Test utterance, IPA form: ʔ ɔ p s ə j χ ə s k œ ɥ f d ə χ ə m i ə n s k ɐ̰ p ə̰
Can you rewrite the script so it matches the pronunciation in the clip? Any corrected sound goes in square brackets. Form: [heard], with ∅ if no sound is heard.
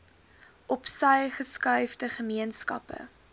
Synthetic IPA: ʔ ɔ p s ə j χ ə s k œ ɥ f d ə χ ə m i ə n s k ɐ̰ p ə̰

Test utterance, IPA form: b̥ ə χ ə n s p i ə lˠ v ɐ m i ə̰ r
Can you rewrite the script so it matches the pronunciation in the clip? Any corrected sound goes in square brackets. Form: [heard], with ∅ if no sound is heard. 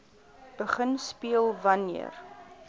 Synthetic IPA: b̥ ə χ ə n s p i ə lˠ v ɐ [n] i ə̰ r

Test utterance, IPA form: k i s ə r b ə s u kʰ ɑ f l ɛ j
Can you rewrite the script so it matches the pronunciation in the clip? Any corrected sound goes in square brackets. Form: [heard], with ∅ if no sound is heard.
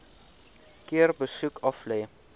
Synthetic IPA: k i [∅] ə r b ə s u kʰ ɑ f l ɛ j

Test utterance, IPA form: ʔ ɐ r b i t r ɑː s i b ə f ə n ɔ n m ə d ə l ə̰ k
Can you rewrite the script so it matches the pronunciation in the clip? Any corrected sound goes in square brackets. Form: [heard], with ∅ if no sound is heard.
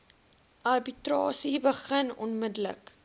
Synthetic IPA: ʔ ɐ r b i t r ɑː s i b ə [χ] ə n ɔ n m ə d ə l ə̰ k

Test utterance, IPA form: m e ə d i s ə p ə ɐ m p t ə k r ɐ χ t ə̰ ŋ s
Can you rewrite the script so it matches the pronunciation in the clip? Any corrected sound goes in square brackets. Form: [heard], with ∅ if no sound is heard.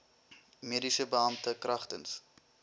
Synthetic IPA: m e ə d i s ə [b] ə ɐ m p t ə k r ɐ χ t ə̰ [n] s

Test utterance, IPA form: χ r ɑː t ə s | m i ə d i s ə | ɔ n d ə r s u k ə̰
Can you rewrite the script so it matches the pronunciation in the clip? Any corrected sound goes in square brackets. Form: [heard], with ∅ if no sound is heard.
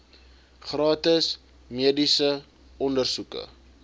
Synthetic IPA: χ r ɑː t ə s | m i ə d i s ə | ɔ n d ə r s u k ə̰

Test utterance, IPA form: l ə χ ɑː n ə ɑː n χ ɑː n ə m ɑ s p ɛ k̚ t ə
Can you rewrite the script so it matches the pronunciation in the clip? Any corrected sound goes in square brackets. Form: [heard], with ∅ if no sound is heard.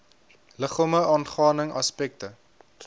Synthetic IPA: l ə χ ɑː [m] ə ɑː n χ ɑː n ə [ŋ] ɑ s p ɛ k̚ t ə

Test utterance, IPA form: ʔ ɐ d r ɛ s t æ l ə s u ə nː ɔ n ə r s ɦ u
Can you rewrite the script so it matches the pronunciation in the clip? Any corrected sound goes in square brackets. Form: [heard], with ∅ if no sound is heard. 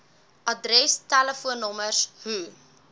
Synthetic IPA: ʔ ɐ d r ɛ s t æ l ə [f] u ə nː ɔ [m] ə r s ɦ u

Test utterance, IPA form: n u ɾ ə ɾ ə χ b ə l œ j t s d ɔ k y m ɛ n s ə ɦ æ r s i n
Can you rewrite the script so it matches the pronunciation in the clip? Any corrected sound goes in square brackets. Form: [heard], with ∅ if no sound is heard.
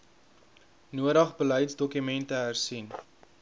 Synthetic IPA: n u [∅] ə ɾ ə χ b ə l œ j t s d ɔ k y m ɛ n [t] ə ɦ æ r s i n

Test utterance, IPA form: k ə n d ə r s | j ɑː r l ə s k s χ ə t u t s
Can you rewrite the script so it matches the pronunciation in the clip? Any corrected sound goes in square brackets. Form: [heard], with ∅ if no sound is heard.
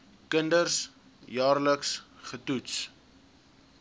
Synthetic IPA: k ə n d ə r s | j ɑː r l ə [∅] k s χ ə t u t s

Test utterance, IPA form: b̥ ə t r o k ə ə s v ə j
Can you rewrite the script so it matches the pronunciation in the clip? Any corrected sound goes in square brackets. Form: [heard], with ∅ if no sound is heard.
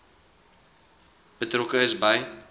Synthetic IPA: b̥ ə t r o k ə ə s [b] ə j

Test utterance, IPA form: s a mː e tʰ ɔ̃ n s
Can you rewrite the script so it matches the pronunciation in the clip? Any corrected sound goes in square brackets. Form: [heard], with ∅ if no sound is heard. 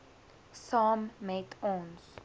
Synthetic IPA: s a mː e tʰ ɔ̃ n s

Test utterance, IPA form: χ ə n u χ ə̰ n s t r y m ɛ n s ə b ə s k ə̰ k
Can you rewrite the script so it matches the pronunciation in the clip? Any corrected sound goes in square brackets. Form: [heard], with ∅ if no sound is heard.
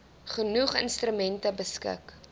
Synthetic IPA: χ ə n u χ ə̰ n s t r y m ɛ n [t] ə b ə s k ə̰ k

